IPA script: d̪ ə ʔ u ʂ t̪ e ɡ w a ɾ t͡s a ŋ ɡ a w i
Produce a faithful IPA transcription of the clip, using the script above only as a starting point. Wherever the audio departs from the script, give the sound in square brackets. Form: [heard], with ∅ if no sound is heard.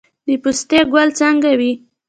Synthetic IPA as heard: d̪ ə [p] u [s] t̪ e ɡ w a [l] t͡s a ŋ ɡ a w i